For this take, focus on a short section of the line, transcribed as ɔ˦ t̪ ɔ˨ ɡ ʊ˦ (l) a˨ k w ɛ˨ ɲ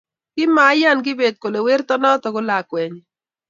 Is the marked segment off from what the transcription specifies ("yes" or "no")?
no